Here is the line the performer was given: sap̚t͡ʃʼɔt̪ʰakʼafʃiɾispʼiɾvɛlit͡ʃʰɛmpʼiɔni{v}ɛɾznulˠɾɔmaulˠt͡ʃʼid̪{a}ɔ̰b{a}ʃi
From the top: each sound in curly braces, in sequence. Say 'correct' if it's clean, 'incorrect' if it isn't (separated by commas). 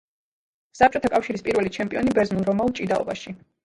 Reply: incorrect, correct, correct